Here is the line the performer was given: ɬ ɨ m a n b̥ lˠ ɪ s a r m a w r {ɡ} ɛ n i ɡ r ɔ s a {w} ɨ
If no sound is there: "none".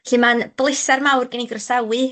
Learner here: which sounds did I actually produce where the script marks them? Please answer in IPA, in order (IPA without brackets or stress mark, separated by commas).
ɡ, w